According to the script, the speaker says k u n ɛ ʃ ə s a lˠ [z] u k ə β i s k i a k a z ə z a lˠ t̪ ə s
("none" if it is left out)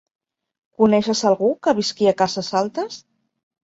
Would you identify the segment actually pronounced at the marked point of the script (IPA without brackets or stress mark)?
ɣ